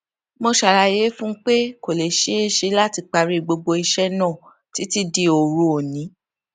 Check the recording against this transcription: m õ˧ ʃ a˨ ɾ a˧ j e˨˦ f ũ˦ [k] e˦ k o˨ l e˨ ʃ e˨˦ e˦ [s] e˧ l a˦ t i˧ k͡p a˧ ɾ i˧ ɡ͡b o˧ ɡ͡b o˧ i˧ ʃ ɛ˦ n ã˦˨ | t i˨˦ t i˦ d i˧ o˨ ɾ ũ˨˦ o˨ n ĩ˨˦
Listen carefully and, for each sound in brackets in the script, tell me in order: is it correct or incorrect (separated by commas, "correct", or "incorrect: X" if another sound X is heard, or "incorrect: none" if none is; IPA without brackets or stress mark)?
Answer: incorrect: k͡p, incorrect: ʃ